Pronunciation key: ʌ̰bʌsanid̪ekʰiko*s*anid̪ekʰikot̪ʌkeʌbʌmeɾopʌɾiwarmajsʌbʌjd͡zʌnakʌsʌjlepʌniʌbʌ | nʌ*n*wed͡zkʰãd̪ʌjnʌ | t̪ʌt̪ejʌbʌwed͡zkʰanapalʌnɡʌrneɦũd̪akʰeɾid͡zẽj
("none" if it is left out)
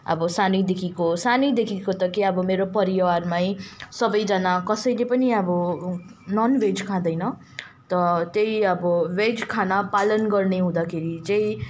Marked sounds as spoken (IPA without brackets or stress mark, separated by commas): s, n